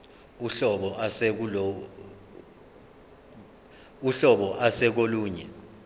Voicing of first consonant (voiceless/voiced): voiceless